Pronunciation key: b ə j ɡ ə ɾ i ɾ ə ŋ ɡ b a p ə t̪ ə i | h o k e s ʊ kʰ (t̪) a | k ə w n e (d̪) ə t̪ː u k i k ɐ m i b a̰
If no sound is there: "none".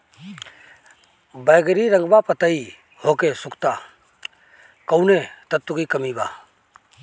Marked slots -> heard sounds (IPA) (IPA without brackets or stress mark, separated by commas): t̪, t̪